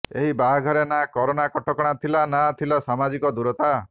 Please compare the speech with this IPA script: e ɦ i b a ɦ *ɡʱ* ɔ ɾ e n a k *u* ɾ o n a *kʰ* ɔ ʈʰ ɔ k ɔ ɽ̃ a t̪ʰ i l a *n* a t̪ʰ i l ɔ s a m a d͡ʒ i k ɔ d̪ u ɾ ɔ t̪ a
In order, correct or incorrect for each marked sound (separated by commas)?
correct, incorrect, incorrect, correct